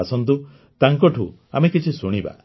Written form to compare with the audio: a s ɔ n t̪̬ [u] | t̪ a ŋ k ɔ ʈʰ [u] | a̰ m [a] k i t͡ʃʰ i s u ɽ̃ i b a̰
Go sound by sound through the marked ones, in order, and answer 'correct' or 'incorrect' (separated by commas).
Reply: correct, correct, incorrect